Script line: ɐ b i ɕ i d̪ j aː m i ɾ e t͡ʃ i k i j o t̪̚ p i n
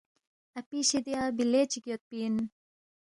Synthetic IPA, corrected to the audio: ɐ p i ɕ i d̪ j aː b i l e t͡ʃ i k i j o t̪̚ p i n